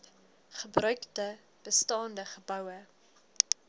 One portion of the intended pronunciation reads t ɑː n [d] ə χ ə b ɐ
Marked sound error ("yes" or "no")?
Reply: no